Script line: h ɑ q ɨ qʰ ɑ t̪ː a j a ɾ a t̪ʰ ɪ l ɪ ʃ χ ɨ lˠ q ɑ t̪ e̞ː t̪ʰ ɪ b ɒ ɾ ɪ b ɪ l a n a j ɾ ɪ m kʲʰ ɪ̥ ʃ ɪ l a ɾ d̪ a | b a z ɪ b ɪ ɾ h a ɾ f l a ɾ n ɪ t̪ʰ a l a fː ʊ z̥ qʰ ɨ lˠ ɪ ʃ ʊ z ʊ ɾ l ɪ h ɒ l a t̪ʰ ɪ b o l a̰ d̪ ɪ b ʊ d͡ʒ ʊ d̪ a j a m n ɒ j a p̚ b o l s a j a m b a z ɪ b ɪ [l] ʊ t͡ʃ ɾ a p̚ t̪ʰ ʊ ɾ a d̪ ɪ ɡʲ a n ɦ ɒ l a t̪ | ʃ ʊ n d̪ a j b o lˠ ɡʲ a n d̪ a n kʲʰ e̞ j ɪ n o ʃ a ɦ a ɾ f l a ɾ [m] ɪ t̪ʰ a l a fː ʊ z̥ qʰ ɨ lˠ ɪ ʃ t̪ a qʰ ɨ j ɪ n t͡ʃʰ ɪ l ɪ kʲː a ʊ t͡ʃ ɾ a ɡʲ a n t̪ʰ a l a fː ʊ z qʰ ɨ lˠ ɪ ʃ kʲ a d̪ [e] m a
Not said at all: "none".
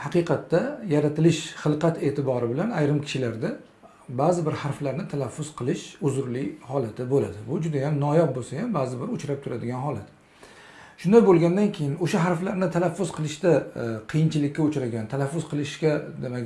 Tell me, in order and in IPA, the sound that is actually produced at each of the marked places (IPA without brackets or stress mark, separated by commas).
ɾ, n, e